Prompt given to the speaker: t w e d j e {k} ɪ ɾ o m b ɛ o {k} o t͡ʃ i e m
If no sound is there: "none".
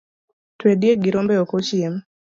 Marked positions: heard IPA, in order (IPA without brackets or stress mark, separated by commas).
ɡ, k